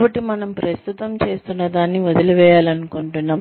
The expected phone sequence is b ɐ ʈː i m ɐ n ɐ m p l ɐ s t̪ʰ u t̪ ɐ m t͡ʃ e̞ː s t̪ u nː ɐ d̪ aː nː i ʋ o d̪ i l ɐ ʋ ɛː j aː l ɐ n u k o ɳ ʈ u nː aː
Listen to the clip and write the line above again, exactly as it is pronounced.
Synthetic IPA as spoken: b ɐ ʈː i m ɐ n ɐ m p ɾ ɐ s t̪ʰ u t̪ ɐ m t͡ʃ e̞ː s t̪ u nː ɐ d̪ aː nː i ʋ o d̪ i l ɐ ʋ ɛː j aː l ɐ n u k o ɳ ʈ u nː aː